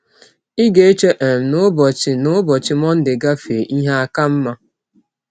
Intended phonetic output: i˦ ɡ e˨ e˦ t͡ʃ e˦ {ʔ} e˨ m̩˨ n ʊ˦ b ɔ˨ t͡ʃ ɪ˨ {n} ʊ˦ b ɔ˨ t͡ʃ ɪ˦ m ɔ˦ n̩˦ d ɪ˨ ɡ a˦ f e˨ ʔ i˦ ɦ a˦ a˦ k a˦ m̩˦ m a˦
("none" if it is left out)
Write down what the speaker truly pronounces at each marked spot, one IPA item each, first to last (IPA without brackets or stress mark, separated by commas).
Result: ʔ, n